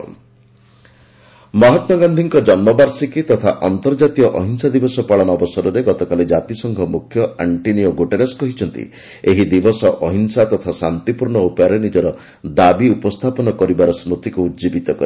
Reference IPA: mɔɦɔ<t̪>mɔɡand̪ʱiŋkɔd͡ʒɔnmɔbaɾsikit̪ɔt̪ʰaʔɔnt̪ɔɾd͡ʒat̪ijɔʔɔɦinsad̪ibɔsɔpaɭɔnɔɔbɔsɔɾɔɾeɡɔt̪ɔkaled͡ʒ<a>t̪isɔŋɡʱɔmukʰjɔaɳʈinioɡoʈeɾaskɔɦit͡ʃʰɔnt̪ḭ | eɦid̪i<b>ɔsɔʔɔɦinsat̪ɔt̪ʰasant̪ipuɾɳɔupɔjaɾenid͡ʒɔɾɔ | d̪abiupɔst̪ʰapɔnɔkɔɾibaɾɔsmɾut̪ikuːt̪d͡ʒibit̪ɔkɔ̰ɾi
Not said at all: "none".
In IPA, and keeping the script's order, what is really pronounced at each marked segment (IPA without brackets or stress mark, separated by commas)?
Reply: t̪, a, b